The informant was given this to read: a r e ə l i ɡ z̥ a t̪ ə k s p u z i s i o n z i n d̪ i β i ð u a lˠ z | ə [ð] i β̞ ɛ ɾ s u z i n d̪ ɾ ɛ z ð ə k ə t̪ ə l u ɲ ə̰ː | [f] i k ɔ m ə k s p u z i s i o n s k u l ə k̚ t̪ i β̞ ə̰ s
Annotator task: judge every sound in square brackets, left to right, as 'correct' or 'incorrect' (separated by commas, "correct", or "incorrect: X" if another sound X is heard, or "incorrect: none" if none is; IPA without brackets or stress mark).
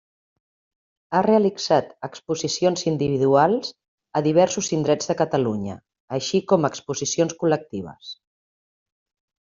correct, incorrect: ʃ